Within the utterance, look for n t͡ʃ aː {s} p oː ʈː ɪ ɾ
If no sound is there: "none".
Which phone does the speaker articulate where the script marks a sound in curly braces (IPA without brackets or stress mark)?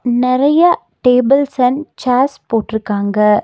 s